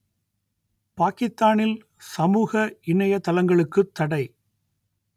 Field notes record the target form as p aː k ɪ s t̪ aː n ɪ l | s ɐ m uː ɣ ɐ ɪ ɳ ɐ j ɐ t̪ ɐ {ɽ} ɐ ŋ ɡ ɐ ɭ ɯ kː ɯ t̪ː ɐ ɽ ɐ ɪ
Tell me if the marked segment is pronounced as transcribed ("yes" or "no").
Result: no